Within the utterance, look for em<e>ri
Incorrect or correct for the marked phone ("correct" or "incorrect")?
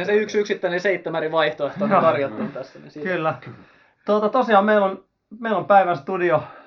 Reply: incorrect